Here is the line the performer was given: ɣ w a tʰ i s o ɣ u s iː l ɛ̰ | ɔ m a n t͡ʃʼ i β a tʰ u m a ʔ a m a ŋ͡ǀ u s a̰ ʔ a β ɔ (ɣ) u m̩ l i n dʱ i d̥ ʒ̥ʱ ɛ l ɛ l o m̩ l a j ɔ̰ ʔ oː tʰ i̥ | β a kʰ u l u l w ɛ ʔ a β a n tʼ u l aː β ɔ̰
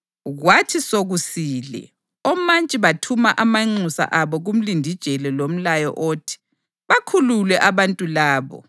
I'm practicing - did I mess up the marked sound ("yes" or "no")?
no